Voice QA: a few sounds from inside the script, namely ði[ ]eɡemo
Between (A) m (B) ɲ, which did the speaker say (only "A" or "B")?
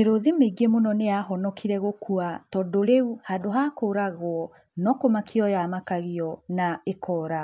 A